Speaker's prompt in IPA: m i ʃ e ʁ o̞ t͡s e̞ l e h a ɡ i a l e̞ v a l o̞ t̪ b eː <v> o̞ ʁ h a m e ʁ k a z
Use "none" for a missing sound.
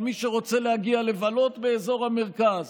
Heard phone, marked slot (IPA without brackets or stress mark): z